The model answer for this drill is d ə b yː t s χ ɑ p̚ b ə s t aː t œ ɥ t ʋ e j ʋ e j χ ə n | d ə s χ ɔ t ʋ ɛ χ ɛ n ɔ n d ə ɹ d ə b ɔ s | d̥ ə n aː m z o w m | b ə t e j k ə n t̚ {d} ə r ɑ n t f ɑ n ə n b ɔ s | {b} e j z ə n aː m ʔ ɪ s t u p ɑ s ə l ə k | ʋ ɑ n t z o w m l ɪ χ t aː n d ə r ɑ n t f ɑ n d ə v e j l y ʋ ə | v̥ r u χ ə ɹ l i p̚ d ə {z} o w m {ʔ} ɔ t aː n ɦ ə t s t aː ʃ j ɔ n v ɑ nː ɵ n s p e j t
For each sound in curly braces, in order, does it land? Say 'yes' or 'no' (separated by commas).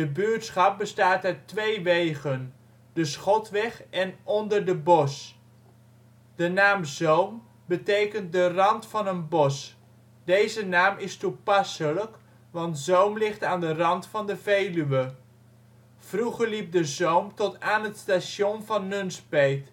yes, no, yes, no